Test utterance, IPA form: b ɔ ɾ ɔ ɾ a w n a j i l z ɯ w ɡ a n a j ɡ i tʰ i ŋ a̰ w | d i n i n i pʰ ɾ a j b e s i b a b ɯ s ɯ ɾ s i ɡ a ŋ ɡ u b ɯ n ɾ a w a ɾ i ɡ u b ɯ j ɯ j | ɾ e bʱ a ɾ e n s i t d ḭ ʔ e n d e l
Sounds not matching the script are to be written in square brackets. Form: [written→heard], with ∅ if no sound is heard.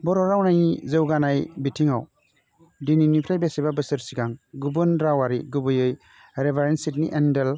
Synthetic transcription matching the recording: b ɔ ɾ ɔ ɾ a w n a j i [l→∅] z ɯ w ɡ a n a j [ɡ→b] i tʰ i ŋ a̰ w | d i n i n i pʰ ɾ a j b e s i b a b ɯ s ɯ ɾ s i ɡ a ŋ ɡ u b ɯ n ɾ a w a ɾ i ɡ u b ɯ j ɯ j | ɾ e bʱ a ɾ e n s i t [d→n] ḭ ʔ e n d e l